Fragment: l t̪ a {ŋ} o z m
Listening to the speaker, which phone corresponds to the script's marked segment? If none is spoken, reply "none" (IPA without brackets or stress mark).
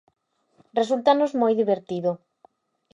n